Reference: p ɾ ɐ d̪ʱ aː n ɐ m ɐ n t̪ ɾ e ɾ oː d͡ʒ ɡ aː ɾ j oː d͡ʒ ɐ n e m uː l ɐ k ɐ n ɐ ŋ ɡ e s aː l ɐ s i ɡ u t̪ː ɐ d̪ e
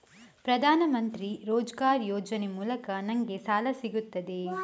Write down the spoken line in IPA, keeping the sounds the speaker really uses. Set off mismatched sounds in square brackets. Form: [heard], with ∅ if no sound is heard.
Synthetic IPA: p ɾ ɐ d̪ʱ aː n ɐ m ɐ n t̪ ɾ [i] ɾ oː d͡ʒ ɡ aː ɾ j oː d͡ʒ ɐ n e m uː l ɐ k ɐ n ɐ ŋ ɡ e s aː l ɐ s i ɡ u t̪ː ɐ d̪ e